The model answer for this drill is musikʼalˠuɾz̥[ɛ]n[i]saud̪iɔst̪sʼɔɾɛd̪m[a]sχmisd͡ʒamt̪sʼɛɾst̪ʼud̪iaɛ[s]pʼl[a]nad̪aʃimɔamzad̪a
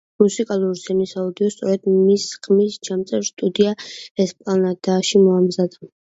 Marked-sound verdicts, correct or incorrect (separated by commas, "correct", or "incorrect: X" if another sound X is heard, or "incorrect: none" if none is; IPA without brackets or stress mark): correct, correct, incorrect: i, correct, correct